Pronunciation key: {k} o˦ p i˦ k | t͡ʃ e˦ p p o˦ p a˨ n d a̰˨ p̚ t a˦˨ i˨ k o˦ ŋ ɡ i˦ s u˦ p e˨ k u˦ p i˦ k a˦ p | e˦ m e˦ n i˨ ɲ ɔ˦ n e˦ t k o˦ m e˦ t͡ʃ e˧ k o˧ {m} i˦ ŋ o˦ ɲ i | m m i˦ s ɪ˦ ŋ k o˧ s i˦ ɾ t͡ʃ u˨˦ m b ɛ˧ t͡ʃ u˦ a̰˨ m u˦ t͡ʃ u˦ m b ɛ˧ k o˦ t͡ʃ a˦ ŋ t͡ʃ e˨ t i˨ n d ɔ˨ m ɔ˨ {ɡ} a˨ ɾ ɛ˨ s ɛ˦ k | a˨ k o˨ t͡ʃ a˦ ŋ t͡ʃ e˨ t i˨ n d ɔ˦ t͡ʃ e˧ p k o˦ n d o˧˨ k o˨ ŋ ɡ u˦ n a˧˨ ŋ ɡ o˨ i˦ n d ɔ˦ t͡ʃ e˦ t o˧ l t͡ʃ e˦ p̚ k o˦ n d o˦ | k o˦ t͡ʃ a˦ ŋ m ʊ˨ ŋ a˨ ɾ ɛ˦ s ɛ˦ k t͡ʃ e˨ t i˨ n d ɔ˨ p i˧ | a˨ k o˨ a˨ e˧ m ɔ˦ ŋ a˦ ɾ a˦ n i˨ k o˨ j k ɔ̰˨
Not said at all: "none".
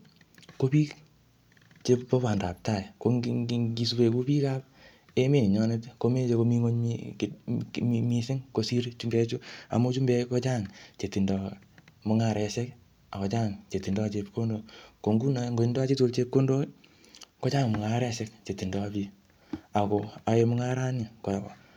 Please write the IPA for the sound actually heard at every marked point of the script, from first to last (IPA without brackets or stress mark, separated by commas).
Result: k, m, ŋ